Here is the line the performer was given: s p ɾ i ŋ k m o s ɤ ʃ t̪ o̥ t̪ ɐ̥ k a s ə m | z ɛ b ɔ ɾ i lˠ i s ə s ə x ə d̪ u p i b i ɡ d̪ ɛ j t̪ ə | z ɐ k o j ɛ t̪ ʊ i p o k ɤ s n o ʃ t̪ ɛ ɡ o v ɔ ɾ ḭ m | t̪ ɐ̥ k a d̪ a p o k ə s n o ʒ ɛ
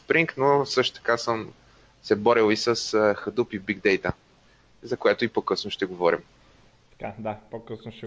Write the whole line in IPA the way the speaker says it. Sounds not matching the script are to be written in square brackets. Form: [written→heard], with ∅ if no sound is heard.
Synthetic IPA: s p ɾ i ŋ k [m→n] o s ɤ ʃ t̪ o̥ t̪ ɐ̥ k a s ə m | [z→s] ɛ b ɔ ɾ i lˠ i s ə s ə x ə d̪ u p i b i ɡ d̪ ɛ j t̪ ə | z ɐ k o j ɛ t̪ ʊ i p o k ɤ s n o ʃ t̪ ɛ ɡ o v ɔ ɾ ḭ m | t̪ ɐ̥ k a d̪ a p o k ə s n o [ʒ→ʃ] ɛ